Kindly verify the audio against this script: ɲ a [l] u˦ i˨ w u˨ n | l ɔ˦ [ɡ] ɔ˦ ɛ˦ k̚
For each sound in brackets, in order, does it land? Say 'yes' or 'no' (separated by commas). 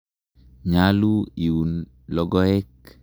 yes, yes